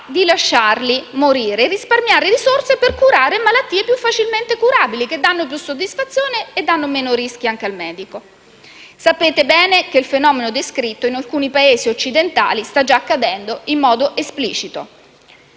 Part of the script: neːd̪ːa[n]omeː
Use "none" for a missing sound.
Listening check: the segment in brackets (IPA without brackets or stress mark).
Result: nː